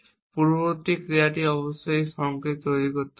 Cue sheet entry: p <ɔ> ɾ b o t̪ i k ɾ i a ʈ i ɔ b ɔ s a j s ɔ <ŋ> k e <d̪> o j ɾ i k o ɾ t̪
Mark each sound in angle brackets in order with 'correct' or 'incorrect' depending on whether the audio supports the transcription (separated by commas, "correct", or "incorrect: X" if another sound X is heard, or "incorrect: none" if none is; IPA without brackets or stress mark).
incorrect: u, correct, incorrect: t̪